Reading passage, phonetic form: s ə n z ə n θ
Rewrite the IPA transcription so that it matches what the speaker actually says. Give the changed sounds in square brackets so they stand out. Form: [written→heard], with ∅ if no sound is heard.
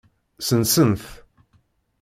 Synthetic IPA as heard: s ə n [z→s] ə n θ